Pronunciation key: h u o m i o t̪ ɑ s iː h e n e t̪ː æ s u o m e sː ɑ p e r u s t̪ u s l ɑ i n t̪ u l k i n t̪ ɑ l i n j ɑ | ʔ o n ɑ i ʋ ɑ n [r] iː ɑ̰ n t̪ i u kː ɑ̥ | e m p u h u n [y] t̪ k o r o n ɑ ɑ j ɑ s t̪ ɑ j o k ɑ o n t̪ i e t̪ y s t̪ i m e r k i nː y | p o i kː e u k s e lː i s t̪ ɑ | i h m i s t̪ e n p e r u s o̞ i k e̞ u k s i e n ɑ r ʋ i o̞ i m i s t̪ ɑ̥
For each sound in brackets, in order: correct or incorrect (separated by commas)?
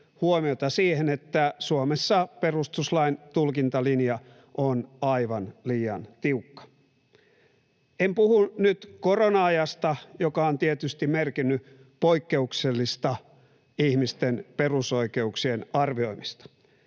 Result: incorrect, correct